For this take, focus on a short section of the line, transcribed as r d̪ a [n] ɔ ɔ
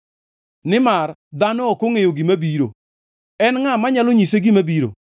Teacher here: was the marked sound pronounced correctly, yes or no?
yes